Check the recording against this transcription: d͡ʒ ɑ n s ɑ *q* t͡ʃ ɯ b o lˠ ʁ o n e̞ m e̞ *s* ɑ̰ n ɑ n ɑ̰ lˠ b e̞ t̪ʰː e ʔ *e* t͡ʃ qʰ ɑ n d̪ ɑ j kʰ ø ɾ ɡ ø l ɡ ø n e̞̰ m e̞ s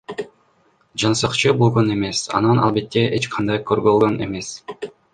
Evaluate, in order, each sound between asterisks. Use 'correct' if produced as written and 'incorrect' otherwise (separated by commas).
correct, correct, correct